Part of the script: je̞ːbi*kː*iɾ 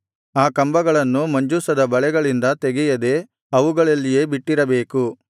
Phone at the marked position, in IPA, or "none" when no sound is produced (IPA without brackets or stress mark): ʈː